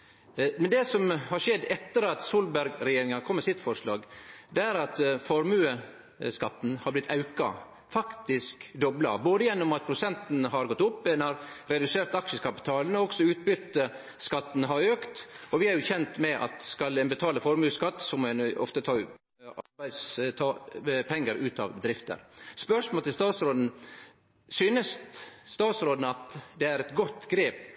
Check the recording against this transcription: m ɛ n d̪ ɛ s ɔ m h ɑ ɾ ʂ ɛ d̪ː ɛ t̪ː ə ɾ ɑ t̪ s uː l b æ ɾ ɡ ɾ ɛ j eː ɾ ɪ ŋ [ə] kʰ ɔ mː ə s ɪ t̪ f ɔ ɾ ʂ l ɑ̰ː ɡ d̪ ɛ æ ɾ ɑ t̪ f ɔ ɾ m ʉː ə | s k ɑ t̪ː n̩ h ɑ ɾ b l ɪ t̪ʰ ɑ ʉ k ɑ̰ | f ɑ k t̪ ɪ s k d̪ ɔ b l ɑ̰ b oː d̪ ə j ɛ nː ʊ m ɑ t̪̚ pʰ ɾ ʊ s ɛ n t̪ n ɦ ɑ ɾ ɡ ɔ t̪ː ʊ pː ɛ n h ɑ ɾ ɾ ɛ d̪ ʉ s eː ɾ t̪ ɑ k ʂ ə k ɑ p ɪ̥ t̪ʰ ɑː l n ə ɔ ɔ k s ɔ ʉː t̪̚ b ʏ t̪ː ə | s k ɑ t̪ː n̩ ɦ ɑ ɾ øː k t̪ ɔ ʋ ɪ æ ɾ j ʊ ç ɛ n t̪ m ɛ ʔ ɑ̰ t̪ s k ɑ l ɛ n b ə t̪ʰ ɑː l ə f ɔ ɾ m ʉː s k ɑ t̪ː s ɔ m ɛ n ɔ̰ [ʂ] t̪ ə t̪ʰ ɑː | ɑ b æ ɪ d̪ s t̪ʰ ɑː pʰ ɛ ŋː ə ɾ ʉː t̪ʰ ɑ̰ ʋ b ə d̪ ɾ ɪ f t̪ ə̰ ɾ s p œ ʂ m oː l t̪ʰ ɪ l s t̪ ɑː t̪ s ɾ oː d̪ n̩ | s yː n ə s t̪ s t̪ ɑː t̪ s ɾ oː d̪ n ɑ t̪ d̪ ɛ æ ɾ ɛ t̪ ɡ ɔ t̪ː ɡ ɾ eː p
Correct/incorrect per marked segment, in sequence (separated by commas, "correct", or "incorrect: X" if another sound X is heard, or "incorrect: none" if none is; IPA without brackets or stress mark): incorrect: ɑ, incorrect: f